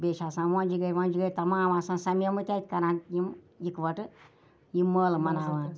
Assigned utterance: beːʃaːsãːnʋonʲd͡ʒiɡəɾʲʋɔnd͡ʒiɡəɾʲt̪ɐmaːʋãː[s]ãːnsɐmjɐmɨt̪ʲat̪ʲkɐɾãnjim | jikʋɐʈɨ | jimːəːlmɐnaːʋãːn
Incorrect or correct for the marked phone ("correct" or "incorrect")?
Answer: correct